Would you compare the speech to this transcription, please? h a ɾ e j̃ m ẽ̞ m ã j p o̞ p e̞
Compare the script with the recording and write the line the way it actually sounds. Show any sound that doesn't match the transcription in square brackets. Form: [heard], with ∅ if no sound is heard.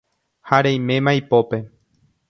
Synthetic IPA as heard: h a ɾ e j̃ m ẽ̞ m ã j p o̞ p e̞